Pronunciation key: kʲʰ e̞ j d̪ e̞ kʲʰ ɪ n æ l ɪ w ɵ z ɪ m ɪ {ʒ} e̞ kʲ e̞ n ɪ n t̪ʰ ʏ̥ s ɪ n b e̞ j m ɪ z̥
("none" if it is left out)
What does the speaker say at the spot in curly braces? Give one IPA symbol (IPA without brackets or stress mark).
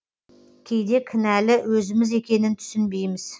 z